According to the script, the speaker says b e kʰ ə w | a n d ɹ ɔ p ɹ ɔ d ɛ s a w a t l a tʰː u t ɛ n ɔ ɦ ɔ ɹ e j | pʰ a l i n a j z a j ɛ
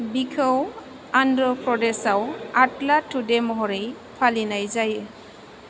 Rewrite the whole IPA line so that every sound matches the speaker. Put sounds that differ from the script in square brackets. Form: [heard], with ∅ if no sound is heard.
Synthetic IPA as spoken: b [i] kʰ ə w | a n d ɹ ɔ p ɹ ɔ d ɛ s a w a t l a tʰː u [d] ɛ [m] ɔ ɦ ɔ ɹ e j | pʰ a l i n a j z a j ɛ

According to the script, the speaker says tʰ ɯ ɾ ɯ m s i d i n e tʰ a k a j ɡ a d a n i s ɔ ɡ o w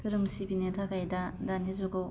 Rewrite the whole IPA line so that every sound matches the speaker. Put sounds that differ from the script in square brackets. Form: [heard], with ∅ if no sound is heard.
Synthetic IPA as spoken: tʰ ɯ ɾ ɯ m s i [b] i n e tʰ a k a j [d] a d a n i [z] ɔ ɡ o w

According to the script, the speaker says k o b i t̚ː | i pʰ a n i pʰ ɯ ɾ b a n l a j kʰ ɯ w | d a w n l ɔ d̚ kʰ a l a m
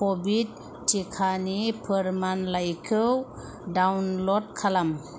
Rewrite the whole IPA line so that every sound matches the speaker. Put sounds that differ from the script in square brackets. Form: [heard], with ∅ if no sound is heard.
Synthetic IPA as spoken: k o b i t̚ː | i [kʰ] a n i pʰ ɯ ɾ [m] a n l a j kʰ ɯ w | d a w n l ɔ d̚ kʰ a l a m

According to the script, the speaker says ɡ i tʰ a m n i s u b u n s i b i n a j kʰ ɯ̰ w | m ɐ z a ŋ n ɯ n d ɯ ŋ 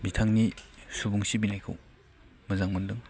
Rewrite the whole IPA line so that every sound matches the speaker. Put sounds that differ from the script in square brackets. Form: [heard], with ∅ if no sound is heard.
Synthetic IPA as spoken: [b] i tʰ a [ŋ] n i s u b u [ŋ] s i b i n a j kʰ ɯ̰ w | m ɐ z a ŋ [m] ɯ n d ɯ ŋ

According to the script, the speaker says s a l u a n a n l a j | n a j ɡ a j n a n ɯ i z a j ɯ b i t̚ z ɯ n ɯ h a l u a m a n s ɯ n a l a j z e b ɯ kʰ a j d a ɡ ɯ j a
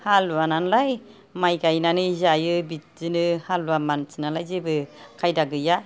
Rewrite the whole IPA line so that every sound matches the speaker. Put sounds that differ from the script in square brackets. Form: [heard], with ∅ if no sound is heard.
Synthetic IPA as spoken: [h] a l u a n a n l a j | [m] a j ɡ a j n a n ɯ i z a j ɯ b i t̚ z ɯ n ɯ h a l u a m a n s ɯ n a l a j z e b ɯ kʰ a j d a ɡ ɯ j a

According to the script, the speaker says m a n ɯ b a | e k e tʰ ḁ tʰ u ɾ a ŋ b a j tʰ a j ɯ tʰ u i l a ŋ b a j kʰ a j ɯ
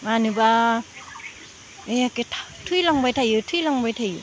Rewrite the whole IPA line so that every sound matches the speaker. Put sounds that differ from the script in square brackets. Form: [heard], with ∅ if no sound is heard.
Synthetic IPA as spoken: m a n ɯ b a | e k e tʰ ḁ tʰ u [l] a ŋ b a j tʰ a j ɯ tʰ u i l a ŋ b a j [tʰ] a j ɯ

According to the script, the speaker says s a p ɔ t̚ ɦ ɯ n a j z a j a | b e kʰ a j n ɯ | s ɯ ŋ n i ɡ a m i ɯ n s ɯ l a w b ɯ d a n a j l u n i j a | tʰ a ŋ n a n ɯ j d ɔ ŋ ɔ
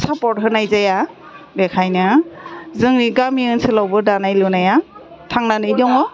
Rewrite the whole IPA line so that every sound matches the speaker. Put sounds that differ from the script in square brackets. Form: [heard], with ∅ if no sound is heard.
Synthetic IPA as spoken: s a p ɔ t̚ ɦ ɯ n a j z a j a | b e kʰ a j n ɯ | [z] ɯ ŋ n i ɡ a m i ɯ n s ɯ l a w b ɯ d a n a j l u n [a] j a | tʰ a ŋ n a n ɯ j d ɔ ŋ ɔ

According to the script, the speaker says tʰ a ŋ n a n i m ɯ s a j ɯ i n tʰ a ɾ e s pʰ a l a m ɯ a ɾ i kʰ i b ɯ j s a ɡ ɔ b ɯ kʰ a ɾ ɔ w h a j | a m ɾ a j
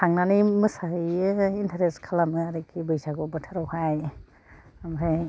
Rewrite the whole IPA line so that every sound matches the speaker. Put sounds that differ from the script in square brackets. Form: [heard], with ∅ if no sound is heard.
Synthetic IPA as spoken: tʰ a ŋ n a n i m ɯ s a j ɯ i n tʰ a ɾ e s [kʰ] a l a m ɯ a ɾ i kʰ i b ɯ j s a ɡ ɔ b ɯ [tʰ] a ɾ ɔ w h a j | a m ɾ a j

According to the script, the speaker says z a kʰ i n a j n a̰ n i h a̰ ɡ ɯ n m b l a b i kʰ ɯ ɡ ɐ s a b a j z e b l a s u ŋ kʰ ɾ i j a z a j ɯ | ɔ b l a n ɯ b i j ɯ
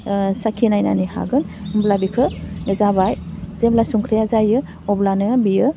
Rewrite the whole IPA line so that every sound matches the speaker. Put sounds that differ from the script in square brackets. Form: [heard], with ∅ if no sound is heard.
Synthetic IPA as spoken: [s] a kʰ i n a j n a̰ n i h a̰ ɡ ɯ n m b l a b i kʰ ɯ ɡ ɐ [z] a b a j z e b l a s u ŋ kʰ ɾ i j a z a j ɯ | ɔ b l a n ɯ b i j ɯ

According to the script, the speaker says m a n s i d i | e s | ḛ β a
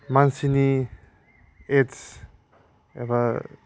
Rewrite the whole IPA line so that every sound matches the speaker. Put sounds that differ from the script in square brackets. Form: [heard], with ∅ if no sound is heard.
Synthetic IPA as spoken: m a n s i [n] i | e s | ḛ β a

